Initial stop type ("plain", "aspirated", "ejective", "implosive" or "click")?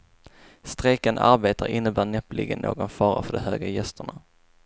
plain